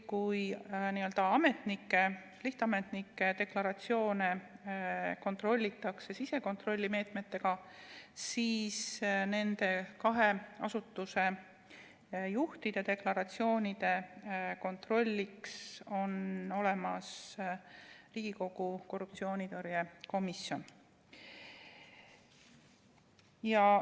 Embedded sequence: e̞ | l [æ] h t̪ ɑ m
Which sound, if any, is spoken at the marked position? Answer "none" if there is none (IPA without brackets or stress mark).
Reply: i